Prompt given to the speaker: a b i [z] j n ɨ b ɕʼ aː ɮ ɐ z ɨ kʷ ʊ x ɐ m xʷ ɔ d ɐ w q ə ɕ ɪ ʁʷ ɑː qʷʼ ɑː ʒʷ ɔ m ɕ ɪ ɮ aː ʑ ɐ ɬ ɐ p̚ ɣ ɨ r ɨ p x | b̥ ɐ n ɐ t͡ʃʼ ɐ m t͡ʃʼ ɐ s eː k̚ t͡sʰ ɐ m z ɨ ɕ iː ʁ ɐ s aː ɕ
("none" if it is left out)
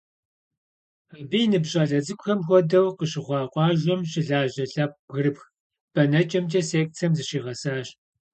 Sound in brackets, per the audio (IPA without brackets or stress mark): none